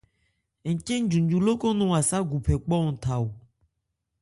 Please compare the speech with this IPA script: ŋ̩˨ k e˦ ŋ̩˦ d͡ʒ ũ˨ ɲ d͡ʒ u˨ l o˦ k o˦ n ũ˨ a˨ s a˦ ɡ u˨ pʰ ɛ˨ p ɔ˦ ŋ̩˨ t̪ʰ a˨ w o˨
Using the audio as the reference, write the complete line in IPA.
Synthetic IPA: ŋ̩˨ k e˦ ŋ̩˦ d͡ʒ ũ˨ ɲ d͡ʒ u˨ l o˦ k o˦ n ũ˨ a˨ s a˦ ɡ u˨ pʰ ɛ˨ k͡p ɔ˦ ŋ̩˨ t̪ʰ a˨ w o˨